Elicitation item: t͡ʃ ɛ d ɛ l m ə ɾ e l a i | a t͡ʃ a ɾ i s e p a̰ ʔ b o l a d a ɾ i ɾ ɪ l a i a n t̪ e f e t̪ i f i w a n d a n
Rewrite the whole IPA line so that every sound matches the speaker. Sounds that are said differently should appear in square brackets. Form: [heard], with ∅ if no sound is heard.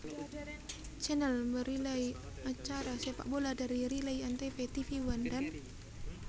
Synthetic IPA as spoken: t͡ʃ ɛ [n] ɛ l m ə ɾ [i] l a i | a t͡ʃ a ɾ [a] s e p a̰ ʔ b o l a d a ɾ i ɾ [i] l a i a n t̪ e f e t̪ i f i w a n d a n